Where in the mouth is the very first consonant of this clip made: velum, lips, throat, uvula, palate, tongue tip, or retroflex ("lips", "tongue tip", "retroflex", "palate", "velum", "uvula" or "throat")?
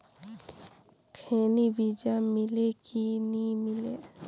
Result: velum